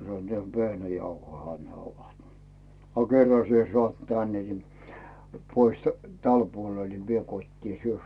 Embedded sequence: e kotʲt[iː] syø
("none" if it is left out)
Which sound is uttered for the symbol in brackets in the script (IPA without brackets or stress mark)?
iː